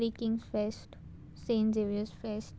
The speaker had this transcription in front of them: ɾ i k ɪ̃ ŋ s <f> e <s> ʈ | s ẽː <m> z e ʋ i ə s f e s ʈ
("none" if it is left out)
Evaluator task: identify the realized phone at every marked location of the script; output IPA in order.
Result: f, s, n

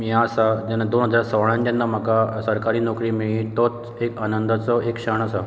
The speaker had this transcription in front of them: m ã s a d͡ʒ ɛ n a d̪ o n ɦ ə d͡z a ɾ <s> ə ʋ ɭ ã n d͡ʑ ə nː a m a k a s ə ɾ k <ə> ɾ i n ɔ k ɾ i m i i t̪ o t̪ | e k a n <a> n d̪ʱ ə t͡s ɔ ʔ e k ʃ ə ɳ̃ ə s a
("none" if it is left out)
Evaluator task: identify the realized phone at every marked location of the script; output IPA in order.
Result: s, a, ə

